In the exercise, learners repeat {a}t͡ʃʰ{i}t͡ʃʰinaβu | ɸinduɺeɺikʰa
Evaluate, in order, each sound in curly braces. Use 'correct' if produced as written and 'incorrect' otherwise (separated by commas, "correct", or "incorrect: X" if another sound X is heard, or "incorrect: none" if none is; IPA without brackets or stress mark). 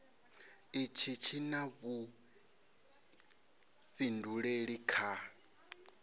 incorrect: i, correct